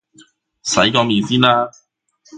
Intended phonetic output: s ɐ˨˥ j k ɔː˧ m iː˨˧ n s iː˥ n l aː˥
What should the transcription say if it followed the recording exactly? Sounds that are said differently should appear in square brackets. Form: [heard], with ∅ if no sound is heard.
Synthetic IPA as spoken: s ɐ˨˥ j k ɔː˧ m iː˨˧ n s iː˥ n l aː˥